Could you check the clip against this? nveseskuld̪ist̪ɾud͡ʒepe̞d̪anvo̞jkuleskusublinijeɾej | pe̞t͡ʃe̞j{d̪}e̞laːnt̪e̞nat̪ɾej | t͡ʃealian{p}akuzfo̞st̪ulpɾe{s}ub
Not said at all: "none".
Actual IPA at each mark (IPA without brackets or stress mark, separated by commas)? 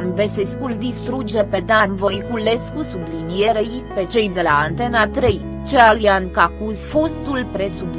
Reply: d̪, k, s